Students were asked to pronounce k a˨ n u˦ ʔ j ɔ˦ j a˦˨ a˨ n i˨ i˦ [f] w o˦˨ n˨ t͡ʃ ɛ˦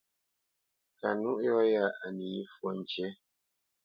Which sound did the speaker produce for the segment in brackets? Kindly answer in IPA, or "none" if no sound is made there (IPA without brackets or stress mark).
f